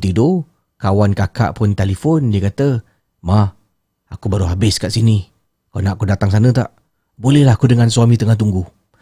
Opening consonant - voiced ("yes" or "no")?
no